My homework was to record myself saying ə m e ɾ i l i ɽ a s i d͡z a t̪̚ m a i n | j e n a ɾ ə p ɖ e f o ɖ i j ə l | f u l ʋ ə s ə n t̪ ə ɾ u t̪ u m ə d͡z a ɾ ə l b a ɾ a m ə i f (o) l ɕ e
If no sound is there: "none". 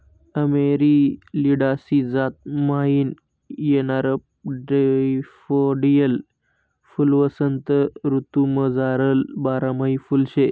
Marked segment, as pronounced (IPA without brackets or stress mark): u